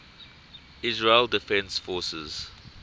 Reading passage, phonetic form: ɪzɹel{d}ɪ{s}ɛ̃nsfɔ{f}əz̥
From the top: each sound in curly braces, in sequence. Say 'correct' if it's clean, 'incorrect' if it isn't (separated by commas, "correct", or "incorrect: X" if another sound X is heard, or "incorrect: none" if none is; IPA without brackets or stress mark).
correct, incorrect: f, incorrect: s